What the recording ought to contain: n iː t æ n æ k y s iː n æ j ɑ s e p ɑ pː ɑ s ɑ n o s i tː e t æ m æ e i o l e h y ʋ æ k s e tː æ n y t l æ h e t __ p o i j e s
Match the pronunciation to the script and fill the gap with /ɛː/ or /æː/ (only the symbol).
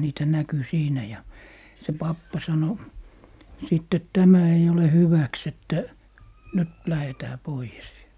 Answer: æː